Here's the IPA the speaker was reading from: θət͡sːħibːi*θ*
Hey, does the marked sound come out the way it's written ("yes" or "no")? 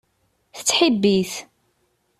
yes